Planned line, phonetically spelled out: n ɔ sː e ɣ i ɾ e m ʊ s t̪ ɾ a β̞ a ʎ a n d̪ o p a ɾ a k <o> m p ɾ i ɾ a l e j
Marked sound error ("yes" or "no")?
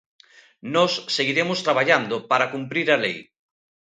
yes